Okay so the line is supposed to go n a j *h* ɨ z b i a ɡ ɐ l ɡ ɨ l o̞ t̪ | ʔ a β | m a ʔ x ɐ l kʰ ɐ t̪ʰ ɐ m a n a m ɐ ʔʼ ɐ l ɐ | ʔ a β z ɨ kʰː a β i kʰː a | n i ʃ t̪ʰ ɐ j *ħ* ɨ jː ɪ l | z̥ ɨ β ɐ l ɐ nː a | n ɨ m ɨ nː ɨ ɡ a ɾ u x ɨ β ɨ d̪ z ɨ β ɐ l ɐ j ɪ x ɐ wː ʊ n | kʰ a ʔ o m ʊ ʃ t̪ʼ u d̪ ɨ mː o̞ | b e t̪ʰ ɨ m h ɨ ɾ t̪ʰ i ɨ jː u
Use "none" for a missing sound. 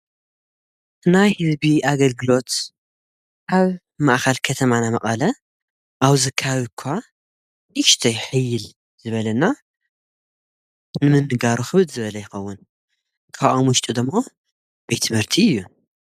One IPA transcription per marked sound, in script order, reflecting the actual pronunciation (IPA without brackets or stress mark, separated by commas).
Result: h, ħ